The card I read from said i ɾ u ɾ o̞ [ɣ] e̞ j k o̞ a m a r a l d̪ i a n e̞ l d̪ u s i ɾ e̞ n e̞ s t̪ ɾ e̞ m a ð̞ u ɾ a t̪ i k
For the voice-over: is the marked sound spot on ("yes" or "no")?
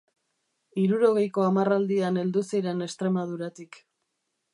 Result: yes